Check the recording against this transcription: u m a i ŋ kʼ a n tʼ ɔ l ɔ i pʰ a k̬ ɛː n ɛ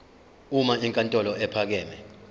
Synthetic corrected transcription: u m a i ŋ kʼ a n tʼ ɔ l ɔ ɛ pʰ a k̬ ɛː m ɛ